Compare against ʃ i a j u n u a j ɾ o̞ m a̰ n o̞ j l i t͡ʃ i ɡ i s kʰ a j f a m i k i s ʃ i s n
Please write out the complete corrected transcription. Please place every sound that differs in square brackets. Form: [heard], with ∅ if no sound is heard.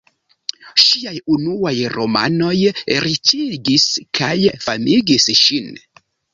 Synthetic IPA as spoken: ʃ i a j u n u a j ɾ o̞ m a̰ n o̞ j [ɾ] i t͡ʃ i ɡ i s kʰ a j f a m i [ɡ] i s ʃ i [∅] n